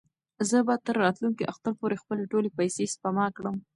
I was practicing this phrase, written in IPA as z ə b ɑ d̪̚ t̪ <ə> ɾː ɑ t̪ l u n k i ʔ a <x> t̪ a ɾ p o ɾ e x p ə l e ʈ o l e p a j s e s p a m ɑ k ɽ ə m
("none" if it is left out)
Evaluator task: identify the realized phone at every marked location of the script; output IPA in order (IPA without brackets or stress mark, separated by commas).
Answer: ə, x